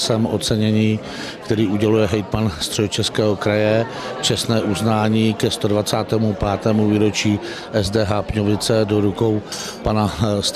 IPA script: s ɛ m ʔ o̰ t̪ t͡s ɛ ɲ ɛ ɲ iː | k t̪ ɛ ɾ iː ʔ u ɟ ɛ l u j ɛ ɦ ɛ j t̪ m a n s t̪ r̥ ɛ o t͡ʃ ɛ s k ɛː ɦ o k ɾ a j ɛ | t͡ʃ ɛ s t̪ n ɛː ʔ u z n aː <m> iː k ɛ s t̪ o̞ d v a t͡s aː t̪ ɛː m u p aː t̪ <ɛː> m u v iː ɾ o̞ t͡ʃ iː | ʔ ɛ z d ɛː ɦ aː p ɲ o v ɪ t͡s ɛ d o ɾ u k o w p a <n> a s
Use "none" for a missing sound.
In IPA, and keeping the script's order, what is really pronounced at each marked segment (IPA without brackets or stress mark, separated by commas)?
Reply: ɲ, ɛː, n